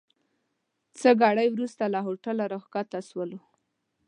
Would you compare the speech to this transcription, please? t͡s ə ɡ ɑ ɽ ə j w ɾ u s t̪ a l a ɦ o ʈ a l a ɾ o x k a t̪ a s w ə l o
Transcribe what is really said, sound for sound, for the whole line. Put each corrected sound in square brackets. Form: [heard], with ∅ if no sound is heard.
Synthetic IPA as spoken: t͡s ə ɡ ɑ ɽ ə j w ɾ u s t̪ a l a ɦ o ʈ a l a ɾ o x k a t̪ a s w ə l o

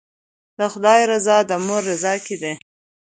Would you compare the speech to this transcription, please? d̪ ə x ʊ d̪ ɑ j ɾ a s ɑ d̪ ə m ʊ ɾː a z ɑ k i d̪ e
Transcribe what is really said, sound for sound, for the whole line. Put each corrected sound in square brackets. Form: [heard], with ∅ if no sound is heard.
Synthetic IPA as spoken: d̪ ə x ʊ d̪ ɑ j ɾ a [z] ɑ d̪ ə m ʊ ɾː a z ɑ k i d̪ e

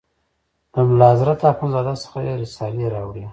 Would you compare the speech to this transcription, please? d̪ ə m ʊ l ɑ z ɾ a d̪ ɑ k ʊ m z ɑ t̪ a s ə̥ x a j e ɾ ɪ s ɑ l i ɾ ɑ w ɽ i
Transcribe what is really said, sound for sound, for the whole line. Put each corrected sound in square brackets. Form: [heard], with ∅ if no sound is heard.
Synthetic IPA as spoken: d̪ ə m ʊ l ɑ z ɾ a [t̪] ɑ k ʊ [n] z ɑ [d̪] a s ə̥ x a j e ɾ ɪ s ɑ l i ɾ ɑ w ɽ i

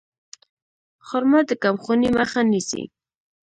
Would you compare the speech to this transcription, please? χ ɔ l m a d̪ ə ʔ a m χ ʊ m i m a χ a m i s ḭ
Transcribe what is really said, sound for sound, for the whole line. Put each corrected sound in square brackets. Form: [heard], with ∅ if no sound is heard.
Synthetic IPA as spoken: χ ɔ [ɾ] m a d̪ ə [k] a m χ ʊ [n] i m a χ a [n] i s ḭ

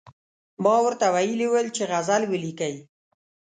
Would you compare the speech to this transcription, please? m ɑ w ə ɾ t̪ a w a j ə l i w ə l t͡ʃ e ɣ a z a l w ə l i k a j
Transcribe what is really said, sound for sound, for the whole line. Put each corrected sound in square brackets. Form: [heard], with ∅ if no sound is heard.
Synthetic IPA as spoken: m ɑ w ə ɾ t̪ a w a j ə l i w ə l t͡ʃ e ɣ a z a l w ə l i k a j

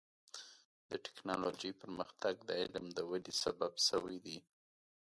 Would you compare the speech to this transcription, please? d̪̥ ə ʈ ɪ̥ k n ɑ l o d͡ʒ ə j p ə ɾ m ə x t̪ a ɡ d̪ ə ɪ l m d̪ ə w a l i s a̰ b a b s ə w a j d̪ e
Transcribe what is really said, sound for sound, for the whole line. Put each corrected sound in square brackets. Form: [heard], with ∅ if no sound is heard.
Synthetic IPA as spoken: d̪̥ ə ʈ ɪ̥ k n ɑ l o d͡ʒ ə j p ə ɾ m ə x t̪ a ɡ d̪ ə ɪ l m d̪ ə w a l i s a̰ b a b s ə w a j d̪ [i]

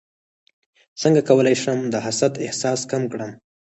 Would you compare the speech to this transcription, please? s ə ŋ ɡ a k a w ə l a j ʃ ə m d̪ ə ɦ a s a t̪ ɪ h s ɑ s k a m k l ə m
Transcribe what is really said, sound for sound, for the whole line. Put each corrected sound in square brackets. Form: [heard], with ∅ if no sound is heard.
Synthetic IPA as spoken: s ə ŋ ɡ a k a w ə l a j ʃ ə m d̪ ə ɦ a s a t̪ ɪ h s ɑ s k a m k [ɽ] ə m

